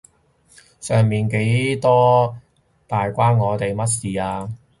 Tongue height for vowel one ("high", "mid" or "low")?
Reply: mid